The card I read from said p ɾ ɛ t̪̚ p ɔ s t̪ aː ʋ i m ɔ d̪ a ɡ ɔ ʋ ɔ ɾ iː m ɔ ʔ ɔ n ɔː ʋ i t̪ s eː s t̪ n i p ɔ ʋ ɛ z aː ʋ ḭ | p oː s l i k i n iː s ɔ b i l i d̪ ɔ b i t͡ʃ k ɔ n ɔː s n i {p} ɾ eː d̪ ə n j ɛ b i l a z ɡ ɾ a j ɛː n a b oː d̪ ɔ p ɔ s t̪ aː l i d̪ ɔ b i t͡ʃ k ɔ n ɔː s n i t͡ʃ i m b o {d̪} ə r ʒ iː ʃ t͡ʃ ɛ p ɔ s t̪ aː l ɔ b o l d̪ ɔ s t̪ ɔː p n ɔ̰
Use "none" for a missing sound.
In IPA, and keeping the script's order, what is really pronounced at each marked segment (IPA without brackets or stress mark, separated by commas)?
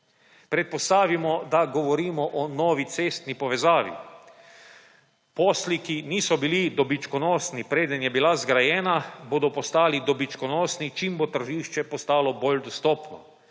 p, t̪